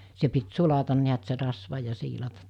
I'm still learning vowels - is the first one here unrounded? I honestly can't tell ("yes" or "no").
yes